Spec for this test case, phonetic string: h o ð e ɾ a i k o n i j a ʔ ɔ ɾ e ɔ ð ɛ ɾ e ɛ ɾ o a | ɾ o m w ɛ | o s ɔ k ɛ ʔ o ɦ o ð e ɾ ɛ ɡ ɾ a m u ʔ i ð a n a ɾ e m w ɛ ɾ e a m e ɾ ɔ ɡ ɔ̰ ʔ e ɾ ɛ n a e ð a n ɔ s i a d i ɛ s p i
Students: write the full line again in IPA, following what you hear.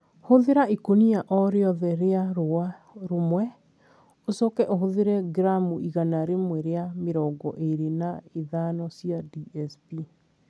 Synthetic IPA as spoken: h o ð e ɾ a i k o n i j a ʔ ɔ ɾ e ɔ ð ɛ ɾ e a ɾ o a | ɾ o m w ɛ | o s ɔ k ɛ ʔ o ɦ o ð e ɾ ɛ ɡ ɾ a m u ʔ i ɣ a n a ɾ e m w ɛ ɾ e a m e ɾ ɔ ɡ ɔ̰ ʔ e ɾ e n a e ð a n ɔ s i a d i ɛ s p i